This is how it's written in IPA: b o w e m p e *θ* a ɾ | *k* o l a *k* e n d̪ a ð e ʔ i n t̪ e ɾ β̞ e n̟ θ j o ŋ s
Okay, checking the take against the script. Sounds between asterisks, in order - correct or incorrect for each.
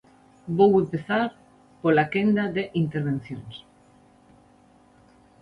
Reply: correct, incorrect: p, correct

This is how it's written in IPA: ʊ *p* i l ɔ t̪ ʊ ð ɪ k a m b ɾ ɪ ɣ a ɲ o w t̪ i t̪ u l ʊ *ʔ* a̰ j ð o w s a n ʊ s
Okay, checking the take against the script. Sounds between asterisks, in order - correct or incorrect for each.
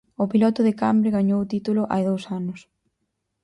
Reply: correct, correct

